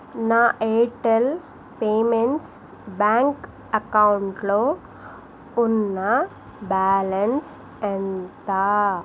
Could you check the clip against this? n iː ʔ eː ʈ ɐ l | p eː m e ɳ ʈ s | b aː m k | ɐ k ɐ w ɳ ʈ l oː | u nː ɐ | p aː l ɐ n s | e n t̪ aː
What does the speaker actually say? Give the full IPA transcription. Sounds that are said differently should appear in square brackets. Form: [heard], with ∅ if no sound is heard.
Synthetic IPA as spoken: n [aː] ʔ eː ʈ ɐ l | p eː m e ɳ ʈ s | b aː [ŋ] k | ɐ k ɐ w ɳ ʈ l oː | u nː ɐ | [b] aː l ɐ n s | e n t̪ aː